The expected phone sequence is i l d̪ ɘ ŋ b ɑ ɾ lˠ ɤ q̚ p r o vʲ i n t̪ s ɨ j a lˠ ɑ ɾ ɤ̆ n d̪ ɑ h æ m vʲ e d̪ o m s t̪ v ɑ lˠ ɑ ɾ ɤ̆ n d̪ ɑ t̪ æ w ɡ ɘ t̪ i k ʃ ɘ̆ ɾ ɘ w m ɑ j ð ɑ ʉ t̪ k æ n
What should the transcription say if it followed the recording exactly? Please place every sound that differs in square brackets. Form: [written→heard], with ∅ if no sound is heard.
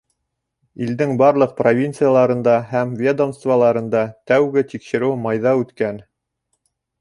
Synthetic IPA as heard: i l d̪ ɘ ŋ b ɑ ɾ lˠ ɤ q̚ p r o vʲ i n t̪ s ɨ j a lˠ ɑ ɾ ɤ̆ n d̪ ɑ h æ m vʲ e d̪ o m s t̪ v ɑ lˠ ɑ ɾ ɤ̆ n d̪ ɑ t̪ æ w ɡ ɘ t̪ i k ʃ ɘ̆ ɾ ɘ w m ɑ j ð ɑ ʉ t̪ k æ n